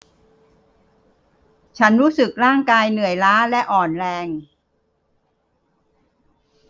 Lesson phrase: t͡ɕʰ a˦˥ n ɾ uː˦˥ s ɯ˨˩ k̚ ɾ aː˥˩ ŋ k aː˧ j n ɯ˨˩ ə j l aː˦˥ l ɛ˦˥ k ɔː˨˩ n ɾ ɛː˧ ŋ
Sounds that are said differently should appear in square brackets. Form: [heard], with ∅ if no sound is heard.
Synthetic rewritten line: t͡ɕʰ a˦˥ n ɾ uː˦˥ s ɯ˨˩ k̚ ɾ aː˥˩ ŋ k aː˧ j n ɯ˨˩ ə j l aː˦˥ l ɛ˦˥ [ʔ] ɔː˨˩ n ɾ ɛː˧ ŋ